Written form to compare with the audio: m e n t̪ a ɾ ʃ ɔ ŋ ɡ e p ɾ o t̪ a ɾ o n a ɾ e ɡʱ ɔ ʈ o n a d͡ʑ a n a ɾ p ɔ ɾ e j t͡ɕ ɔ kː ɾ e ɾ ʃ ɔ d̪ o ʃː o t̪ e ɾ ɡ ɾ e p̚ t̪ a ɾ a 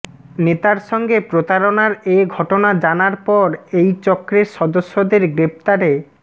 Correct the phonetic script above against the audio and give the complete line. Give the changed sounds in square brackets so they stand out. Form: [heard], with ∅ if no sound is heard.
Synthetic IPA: [n] e [∅] t̪ a ɾ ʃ ɔ ŋ ɡ e p ɾ o t̪ a ɾ o n a ɾ e ɡʱ ɔ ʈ o n a d͡ʑ a n a ɾ p ɔ ɾ e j t͡ɕ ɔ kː ɾ e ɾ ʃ ɔ d̪ o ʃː o [d̪] e ɾ ɡ ɾ e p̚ t̪ a ɾ [e]

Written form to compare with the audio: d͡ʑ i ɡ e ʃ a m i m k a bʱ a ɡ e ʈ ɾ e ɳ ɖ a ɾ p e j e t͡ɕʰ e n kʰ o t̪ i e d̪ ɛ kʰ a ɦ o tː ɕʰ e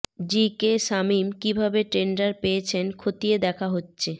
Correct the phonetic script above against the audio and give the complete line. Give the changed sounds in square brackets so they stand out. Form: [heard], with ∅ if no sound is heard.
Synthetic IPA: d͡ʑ i [k] e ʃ a m i m k [i] bʱ a [b] e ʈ ɾ e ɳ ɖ a ɾ p e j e t͡ɕʰ e n kʰ o t̪ i e d̪ ɛ kʰ a ɦ o tː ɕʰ e

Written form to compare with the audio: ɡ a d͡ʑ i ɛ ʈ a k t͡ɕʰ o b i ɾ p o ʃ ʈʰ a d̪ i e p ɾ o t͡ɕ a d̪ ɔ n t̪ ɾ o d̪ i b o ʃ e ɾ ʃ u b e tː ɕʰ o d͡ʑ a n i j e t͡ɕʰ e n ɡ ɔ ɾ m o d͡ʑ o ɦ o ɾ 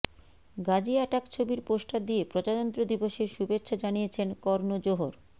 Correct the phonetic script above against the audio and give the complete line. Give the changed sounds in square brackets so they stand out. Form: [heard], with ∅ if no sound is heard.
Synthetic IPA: ɡ a d͡ʑ i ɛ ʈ a k t͡ɕʰ o b i ɾ p o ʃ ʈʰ a d̪ i e p ɾ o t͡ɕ a d̪ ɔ n t̪ ɾ o d̪ i b o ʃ e ɾ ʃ u b e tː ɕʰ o d͡ʑ a n i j e t͡ɕʰ e n [k] ɔ ɾ [n] o d͡ʑ o ɦ o ɾ

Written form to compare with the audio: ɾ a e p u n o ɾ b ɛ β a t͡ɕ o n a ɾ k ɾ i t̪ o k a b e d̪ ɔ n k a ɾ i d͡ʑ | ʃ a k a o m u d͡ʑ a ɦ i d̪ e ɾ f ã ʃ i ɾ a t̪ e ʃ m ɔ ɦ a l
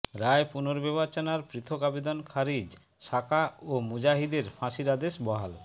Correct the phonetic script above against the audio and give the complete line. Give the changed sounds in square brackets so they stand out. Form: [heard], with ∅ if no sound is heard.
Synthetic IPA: ɾ a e p u n o ɾ b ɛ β a t͡ɕ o n a ɾ [p] ɾ i [t̪ʰ] o k a b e d̪ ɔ n [kʰ] a ɾ i d͡ʑ | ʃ a k a o m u d͡ʑ a ɦ i d̪ e ɾ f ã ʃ i ɾ a [d̪] e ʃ [b] ɔ ɦ a l

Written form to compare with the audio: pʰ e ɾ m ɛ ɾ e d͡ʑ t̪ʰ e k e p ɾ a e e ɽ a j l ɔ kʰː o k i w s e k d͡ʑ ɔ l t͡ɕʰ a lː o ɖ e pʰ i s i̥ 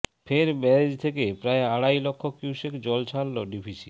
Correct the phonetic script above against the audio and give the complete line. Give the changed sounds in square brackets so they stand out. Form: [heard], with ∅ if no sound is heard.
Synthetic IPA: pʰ e ɾ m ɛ ɾ e d͡ʑ t̪ʰ e k e p ɾ a e [a] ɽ a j l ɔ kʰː o k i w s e k d͡ʑ ɔ l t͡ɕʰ a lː o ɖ [i] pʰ i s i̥

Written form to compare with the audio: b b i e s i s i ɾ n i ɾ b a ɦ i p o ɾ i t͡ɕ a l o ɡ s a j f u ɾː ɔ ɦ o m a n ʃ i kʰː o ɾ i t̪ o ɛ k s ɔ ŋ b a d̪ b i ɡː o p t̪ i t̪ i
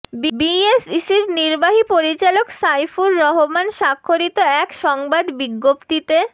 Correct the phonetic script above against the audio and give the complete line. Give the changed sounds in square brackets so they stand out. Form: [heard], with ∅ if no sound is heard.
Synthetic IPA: b b i e s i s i ɾ n i ɾ b a ɦ i p o ɾ i t͡ɕ a l o [k] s a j f u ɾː ɔ ɦ o m a n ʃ [a] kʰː o ɾ i t̪ o ɛ k [ʃ] ɔ ŋ b a d̪ b i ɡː o p t̪ i t̪ [e]

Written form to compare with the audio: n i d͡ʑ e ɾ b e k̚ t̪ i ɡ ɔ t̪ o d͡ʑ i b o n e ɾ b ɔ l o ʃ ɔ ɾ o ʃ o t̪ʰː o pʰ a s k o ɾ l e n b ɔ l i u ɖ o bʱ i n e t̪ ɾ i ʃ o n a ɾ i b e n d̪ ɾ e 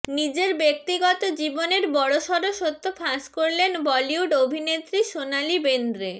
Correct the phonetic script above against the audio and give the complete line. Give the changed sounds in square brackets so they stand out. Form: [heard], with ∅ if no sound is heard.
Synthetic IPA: n i d͡ʑ e ɾ b e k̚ t̪ i ɡ ɔ t̪ o d͡ʑ i b o n e ɾ b ɔ [ɽ] o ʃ ɔ ɾ o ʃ o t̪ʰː o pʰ a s k o ɾ l e n b ɔ l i u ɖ o bʱ i n e t̪ ɾ i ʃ o n a [l] i b e n d̪ ɾ e

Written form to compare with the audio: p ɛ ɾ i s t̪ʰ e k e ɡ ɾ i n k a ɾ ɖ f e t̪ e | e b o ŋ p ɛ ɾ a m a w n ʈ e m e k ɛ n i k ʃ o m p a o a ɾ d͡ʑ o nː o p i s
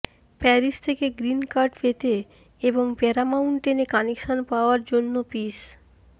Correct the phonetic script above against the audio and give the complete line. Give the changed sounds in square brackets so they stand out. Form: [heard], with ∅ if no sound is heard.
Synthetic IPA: p ɛ ɾ i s t̪ʰ e k e ɡ ɾ i n k a ɾ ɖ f e t̪ e | e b o ŋ p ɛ ɾ a m a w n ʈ e [n] e k [a] n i k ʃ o [n] p a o a ɾ d͡ʑ o nː o p i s

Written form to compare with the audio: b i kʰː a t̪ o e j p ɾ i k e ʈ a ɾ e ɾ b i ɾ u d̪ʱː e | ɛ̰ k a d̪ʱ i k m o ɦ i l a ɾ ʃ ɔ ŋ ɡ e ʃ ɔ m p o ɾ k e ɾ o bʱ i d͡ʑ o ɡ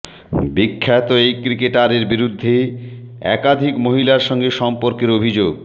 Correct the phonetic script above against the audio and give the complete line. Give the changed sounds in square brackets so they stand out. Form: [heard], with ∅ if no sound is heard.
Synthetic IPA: b i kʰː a t̪ o e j [k] ɾ i k e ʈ a ɾ e ɾ b i ɾ u d̪ʱː e | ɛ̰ k a d̪ʱ i k m o ɦ i l a ɾ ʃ ɔ ŋ ɡ e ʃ ɔ m p o ɾ k e ɾ o bʱ i d͡ʑ o ɡ

